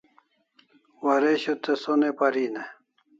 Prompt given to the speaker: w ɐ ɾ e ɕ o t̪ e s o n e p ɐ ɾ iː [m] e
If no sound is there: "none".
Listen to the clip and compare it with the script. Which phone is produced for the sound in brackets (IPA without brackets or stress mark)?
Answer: n